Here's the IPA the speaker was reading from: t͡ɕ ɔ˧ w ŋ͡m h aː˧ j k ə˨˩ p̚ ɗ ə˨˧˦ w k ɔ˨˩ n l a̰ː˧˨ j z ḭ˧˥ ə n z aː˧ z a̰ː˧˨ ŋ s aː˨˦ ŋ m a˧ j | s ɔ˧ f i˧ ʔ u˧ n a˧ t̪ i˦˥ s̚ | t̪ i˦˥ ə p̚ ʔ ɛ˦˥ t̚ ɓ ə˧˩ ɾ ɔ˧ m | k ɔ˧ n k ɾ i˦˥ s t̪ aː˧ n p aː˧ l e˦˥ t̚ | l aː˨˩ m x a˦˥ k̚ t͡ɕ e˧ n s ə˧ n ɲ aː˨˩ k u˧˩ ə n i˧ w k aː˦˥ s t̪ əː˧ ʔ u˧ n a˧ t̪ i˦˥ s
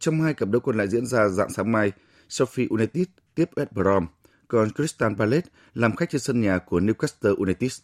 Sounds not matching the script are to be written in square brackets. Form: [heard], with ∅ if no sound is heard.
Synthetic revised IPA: t͡ɕ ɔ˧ w ŋ͡m h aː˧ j k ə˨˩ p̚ ɗ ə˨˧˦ w k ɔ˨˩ n l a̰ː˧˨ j z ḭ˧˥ ə n z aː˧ z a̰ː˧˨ ŋ s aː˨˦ ŋ m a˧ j | s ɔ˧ f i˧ ʔ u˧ n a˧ t̪ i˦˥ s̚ | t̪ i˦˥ ə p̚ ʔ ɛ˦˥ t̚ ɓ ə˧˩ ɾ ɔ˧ m | k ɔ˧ n k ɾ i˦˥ s t̪ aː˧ n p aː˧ l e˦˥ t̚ | l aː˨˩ m x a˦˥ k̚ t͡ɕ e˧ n s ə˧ n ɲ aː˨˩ k u˧˩ ə n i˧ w k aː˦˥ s t̪ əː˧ ʔ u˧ n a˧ t̪ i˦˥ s